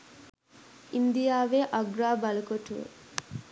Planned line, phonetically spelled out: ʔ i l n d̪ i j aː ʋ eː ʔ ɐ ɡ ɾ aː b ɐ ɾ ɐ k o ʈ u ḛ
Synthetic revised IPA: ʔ i n d̪ i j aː ʋ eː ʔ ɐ ɡ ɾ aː b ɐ l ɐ k o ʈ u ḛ